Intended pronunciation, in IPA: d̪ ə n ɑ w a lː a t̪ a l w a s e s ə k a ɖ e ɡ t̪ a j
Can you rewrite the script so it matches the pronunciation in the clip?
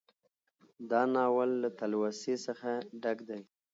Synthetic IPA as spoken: d̪ ɑ n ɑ w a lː a t̪ a l w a s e s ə x a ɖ a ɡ d̪ a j